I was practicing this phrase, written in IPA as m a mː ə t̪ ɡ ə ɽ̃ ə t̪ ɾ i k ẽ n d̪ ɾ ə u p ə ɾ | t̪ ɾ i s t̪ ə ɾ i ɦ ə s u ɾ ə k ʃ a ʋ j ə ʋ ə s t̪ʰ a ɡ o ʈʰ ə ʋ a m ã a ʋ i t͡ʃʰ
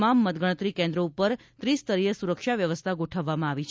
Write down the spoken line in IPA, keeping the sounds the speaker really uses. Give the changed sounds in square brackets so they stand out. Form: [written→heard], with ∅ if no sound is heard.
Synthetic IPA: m a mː ə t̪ ɡ ə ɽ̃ ə t̪ ɾ i k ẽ n d̪ ɾ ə u p ə ɾ | t̪ ɾ i s t̪ ə ɾ i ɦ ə s u ɾ ə k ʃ a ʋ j ə ʋ ə s t̪ʰ a ɡ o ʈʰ ə [ʋ→ʋː] a m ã a ʋ i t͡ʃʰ